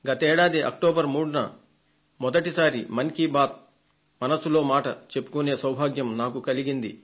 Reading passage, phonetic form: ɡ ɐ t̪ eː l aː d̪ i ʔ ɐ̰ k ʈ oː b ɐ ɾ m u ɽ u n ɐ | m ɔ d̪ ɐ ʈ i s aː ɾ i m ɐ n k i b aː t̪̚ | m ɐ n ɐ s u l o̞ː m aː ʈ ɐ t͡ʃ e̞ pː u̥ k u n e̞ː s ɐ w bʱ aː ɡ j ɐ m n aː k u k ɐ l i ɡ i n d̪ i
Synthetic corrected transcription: ɡ ɐ t̪ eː ɽ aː d̪ i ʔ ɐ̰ k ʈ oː b ɐ ɾ m uː ɽ u n ɐ | m ɔ d̪ ɐ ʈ i s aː ɾ i m ɐ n k i b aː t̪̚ | m ɐ n ɐ s u l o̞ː m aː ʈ ɐ t͡ʃ e̞ pː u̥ k u n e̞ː s ɐ w bʱ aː ɡ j ɐ m n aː k u k ɐ l i ɡ i n d̪ i